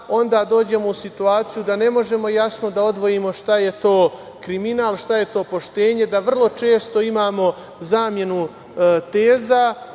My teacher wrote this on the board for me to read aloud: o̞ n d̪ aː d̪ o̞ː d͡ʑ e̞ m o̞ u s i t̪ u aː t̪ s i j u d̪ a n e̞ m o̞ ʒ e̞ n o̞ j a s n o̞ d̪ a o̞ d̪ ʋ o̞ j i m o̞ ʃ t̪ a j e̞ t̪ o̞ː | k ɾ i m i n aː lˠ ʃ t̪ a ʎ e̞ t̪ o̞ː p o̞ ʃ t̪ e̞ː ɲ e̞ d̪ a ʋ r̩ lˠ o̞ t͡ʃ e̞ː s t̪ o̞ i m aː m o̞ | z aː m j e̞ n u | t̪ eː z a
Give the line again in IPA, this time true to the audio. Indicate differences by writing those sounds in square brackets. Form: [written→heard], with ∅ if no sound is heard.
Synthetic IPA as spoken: o̞ n d̪ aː d̪ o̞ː d͡ʑ e̞ m o̞ u s i t̪ u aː t̪ s i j u d̪ a n e̞ m o̞ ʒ e̞ [n→m] o̞ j a s n o̞ d̪ a o̞ d̪ ʋ o̞ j i m o̞ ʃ t̪ a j e̞ t̪ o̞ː | k ɾ i m i n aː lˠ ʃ t̪ a [ʎ→j] e̞ t̪ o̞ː p o̞ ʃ t̪ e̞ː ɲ e̞ d̪ a ʋ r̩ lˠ o̞ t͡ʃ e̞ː s t̪ o̞ i m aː m o̞ | z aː m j e̞ n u | t̪ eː z a

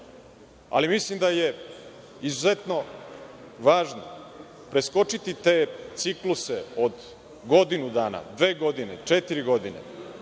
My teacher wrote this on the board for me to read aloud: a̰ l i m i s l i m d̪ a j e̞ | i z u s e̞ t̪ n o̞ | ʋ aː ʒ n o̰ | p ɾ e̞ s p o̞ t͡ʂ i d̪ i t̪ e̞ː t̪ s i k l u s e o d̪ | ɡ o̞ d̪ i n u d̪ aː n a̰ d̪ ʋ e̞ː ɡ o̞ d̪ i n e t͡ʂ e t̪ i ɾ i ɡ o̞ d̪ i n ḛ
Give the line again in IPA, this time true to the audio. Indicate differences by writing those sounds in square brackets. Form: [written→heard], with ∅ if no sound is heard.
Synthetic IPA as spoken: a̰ l i m i s l i m d̪ a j e̞ | i z u [s→z] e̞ t̪ n o̞ | ʋ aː ʒ n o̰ | p ɾ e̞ s [p→k] o̞ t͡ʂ i [d̪→t̪] i t̪ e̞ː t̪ s i k l u s e o d̪ | ɡ o̞ d̪ i n u d̪ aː n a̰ d̪ ʋ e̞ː ɡ o̞ d̪ i n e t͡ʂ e t̪ i ɾ i ɡ o̞ d̪ i n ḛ

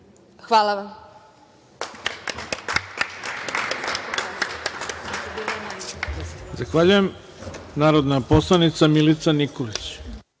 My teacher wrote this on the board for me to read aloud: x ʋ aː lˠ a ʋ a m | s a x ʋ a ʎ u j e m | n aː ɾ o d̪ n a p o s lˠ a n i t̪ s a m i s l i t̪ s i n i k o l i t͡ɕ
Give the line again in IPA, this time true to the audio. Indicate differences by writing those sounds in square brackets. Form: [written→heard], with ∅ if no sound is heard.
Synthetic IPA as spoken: x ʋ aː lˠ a ʋ a m | [s→z] a x ʋ a ʎ u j e m | n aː ɾ o d̪ n a p o s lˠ a n i t̪ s a m i [s→∅] l i t̪ s [i→a] n i k o l i t͡ɕ

